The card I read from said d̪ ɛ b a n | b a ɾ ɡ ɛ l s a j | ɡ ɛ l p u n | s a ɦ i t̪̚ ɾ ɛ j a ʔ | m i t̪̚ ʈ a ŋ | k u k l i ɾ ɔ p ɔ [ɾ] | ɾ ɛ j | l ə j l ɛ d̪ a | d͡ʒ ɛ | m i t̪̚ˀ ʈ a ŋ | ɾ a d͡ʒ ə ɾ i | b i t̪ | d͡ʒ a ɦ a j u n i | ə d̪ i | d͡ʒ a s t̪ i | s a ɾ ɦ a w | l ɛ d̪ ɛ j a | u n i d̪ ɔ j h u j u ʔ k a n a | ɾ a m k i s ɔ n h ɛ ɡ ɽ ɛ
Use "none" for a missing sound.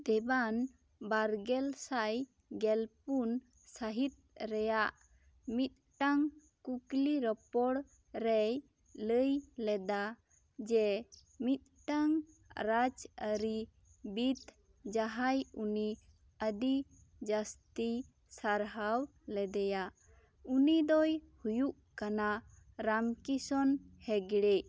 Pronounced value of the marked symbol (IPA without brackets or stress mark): ɽ